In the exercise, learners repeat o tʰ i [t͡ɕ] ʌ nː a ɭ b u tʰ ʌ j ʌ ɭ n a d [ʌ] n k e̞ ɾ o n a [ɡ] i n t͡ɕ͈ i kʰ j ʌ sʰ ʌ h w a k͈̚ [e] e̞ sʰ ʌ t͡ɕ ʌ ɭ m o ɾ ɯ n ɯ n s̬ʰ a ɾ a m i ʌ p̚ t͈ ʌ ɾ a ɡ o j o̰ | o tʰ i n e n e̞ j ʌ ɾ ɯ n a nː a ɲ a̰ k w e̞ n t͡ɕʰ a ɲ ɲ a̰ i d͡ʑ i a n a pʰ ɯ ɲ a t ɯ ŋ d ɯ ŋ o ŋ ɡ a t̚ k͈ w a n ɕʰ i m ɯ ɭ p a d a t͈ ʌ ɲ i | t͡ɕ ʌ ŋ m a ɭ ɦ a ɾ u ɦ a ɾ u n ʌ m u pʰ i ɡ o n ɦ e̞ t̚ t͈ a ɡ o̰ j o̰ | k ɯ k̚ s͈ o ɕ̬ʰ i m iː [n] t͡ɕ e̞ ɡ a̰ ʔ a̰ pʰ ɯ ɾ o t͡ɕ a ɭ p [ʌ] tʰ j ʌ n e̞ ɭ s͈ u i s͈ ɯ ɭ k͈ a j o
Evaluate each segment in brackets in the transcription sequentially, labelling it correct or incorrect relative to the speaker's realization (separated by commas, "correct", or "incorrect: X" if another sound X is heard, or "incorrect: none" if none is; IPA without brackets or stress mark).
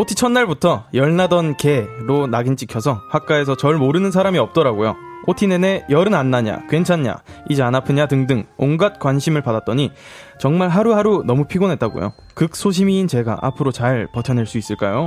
incorrect: t͡ɕʰ, correct, correct, incorrect: a, correct, correct